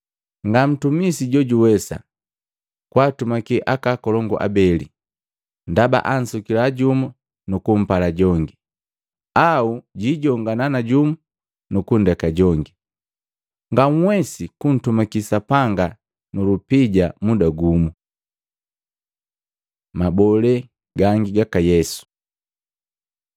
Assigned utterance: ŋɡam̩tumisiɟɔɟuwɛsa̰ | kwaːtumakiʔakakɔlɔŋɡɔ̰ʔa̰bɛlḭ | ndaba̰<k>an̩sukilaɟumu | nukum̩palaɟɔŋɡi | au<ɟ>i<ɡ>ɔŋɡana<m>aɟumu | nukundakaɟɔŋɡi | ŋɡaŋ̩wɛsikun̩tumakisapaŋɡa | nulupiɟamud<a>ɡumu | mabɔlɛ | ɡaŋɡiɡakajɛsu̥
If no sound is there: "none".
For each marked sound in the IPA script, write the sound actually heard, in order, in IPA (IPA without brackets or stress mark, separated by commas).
ʔ, ɟ, ɟ, n, a